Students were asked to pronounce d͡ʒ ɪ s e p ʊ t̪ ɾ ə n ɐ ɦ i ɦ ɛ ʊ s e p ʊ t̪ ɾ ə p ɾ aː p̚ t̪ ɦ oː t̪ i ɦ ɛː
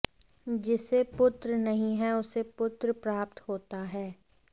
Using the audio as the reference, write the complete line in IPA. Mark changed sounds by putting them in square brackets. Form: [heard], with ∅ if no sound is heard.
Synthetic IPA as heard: d͡ʒ ɪ s e p ʊ t̪ ɾ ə n ɐ ɦ [ĩ] ɦ ɛ ʊ s e p ʊ t̪ ɾ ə p ɾ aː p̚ t̪ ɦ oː t̪ [a] ɦ ɛː